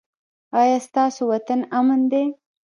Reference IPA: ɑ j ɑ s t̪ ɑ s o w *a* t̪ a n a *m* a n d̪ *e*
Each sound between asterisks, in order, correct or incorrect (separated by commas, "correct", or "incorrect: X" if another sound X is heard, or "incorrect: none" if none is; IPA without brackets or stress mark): correct, correct, correct